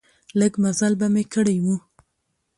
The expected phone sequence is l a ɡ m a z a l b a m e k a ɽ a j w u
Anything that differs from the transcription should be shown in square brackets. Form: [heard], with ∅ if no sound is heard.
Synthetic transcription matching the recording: l [ə] ɡ m a z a l b a m e k [ə] ɽ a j w u